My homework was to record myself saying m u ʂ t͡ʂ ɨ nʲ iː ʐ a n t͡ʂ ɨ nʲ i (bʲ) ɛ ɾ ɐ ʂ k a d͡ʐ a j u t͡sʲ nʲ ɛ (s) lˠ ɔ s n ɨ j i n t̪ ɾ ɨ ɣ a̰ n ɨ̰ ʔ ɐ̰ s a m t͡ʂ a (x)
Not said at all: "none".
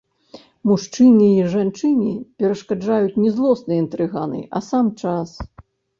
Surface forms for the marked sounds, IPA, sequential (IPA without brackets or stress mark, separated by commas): pʲ, z, s